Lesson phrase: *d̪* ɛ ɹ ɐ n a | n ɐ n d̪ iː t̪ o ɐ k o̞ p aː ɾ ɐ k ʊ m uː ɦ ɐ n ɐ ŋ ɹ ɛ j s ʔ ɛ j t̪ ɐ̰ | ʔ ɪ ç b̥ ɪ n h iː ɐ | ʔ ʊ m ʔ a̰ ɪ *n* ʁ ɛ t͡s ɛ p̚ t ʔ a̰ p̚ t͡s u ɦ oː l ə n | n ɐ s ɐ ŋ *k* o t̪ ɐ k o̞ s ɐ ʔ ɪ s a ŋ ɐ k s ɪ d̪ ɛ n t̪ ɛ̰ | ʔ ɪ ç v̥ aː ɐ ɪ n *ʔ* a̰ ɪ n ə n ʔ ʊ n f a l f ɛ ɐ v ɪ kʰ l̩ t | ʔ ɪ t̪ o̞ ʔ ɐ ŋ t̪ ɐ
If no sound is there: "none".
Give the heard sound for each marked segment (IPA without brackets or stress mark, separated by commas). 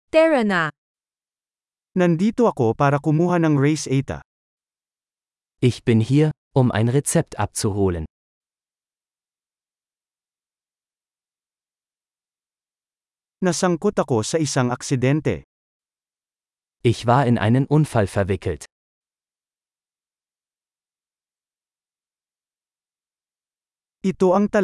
t̪, n, k, ʔ